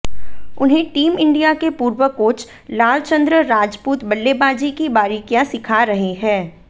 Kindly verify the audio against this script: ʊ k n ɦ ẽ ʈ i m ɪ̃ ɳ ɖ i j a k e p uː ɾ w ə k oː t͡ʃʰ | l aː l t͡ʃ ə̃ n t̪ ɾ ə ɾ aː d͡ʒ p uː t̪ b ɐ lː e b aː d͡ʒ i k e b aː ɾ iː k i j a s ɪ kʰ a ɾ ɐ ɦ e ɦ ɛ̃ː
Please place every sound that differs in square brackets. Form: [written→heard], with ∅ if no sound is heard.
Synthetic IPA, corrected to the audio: ʊ [k→∅] n ɦ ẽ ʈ [i→iː] m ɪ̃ ɳ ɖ i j a k e p uː ɾ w ə k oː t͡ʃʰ | l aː l t͡ʃ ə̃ n [t̪→d̪] ɾ ə ɾ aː d͡ʒ p uː t̪ b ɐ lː e b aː d͡ʒ i k [e→i] b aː ɾ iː k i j a s ɪ kʰ a ɾ ɐ ɦ e ɦ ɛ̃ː